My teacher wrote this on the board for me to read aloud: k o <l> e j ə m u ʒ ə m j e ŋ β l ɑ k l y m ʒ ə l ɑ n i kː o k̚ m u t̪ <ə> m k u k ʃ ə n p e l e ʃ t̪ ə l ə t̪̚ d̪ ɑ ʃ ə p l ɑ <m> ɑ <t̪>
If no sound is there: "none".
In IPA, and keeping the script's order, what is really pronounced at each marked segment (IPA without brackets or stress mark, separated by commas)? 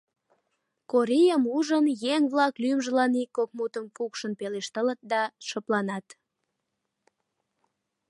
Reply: ɾ, ə, n, t̪